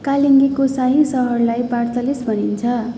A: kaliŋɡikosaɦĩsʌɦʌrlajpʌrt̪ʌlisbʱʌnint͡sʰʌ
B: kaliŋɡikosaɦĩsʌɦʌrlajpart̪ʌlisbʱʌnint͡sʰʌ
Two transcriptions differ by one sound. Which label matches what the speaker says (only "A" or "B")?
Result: B